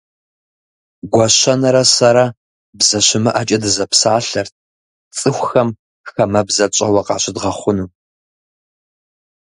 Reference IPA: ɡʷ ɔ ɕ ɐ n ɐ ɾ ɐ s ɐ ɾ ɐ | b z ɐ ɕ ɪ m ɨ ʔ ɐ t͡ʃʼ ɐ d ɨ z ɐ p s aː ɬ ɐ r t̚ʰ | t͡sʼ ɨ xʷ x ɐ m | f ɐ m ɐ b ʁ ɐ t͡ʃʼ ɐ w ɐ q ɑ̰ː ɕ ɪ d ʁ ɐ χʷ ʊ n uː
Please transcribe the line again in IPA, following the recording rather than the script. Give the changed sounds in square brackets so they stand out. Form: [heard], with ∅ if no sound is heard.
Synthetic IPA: ɡʷ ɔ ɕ ɐ n ɐ ɾ ɐ s ɐ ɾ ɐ | b z ɐ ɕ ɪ m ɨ ʔ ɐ t͡ʃʼ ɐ d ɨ z ɐ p s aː ɬ ɐ r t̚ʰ | t͡sʼ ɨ xʷ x ɐ m | [x] ɐ m ɐ b [z] ɐ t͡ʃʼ ɐ w ɐ q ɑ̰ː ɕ ɪ d ʁ ɐ χʷ ʊ n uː